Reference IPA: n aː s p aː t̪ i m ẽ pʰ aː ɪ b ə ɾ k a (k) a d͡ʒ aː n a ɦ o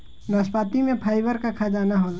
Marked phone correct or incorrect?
incorrect